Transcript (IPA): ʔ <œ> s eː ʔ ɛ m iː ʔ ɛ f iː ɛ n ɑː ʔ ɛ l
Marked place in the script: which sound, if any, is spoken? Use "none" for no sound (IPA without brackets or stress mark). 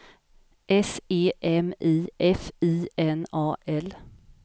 ɛ